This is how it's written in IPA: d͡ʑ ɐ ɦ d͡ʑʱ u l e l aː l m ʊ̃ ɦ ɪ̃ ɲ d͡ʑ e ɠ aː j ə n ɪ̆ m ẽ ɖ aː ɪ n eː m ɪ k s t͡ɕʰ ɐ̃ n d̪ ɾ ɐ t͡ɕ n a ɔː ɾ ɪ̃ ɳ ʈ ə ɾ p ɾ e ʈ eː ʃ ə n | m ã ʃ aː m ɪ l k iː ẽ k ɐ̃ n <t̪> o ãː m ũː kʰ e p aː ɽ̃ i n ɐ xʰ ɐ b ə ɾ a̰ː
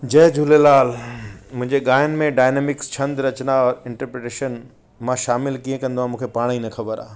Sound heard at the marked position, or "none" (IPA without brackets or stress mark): d̪